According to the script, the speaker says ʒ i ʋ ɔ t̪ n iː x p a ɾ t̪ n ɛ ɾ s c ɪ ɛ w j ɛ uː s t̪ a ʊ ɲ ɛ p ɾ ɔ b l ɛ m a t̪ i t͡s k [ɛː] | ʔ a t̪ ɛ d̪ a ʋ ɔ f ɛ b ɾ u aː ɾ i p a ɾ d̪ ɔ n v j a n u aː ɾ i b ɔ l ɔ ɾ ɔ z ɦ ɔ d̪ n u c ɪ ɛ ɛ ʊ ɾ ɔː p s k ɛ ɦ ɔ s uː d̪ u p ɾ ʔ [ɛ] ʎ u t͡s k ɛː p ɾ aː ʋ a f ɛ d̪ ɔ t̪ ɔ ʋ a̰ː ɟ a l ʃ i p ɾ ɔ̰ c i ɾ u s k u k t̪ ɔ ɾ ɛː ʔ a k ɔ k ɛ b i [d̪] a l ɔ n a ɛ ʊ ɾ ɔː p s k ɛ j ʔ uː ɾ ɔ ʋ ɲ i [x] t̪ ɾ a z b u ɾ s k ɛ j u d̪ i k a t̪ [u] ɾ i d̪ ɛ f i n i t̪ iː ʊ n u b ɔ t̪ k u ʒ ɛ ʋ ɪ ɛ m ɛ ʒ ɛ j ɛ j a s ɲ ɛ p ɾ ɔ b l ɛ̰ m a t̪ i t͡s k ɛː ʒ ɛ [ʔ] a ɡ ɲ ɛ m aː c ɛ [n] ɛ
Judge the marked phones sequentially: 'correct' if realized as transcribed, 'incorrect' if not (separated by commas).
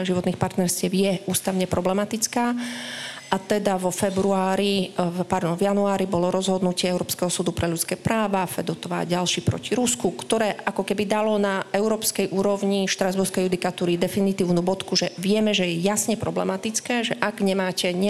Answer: incorrect, correct, correct, incorrect, incorrect, correct, incorrect